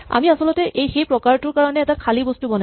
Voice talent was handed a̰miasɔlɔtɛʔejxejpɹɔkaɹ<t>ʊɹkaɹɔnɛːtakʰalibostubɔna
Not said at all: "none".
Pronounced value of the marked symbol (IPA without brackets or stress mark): t